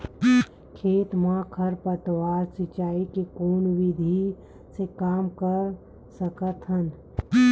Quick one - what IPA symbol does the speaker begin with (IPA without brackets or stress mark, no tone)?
kʰ